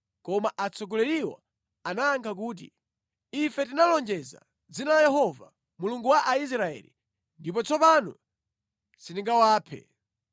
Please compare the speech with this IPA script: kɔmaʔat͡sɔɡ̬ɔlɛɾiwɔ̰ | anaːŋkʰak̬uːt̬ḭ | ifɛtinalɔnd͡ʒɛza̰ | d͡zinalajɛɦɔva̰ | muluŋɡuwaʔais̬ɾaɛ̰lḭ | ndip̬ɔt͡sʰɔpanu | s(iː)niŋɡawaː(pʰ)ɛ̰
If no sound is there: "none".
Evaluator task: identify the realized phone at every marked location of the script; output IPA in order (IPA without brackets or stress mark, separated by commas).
i, pʰ